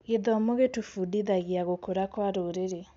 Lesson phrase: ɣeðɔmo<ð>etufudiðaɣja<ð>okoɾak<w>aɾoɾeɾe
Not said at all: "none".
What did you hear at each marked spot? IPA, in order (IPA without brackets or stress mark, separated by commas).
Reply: ɣ, ɣ, w